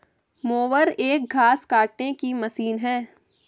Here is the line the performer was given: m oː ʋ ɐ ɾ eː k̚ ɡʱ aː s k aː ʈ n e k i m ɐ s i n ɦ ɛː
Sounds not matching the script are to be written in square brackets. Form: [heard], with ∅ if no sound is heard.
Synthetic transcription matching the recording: m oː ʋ [ə] ɾ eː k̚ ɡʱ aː s k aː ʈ n e k i m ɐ s [iː] n ɦ ɛː